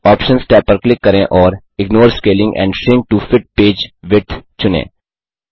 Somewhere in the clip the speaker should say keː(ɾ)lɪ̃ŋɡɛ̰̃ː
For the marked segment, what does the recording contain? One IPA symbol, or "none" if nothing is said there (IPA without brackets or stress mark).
none